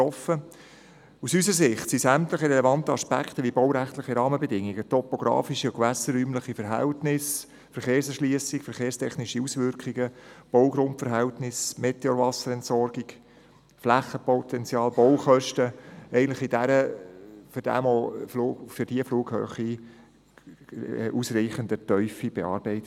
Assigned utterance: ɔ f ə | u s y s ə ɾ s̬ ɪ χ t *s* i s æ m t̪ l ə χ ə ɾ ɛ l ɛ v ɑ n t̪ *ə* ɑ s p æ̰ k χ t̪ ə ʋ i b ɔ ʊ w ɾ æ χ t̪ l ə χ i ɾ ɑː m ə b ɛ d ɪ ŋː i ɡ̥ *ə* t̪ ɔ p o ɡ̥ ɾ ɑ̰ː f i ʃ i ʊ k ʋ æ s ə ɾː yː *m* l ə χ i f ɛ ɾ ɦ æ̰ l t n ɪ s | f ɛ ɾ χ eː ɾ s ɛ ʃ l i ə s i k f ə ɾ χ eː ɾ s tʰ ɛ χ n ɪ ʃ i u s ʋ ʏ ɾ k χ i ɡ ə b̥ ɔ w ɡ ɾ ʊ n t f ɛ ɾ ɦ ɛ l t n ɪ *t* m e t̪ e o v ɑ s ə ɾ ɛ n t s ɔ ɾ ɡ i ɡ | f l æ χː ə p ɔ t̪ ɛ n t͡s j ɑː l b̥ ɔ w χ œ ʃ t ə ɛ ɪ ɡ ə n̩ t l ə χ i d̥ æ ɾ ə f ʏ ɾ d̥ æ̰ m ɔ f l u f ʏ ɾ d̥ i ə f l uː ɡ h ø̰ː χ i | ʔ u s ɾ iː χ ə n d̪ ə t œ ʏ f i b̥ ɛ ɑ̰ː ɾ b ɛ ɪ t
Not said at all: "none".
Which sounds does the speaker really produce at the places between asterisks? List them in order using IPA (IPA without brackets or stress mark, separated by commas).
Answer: s, ə, ə, m, s